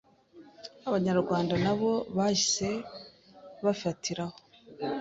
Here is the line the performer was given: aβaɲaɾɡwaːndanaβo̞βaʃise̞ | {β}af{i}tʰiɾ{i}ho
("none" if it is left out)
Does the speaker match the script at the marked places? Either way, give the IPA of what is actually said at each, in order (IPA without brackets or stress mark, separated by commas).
β, a, a